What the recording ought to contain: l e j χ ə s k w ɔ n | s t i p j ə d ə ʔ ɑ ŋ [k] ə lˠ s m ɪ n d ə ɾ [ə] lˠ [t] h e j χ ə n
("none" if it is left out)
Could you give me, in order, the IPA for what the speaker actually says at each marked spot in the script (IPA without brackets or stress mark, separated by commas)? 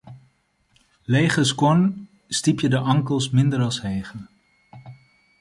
k, ɑ, s